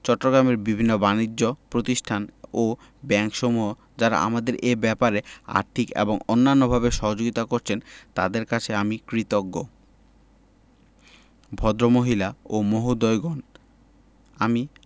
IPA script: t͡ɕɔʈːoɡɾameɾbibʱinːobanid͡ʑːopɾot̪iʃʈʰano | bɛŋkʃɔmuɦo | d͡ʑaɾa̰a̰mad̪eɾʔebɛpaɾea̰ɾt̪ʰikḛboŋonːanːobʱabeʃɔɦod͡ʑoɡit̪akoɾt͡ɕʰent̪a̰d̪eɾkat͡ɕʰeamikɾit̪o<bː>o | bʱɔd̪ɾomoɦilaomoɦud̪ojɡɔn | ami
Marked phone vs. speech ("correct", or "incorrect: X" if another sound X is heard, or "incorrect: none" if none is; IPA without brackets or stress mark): incorrect: ɡː